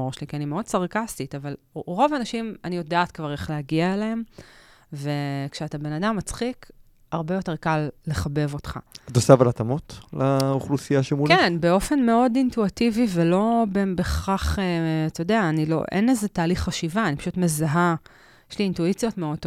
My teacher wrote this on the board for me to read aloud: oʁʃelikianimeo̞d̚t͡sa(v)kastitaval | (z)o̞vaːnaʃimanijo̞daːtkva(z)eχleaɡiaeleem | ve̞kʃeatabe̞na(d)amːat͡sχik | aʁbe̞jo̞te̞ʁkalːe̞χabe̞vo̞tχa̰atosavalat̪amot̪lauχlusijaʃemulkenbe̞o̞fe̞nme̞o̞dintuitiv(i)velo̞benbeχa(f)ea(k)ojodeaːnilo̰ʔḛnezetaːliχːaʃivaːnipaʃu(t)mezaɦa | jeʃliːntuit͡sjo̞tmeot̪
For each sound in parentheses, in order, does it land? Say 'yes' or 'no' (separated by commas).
no, no, no, yes, yes, no, no, yes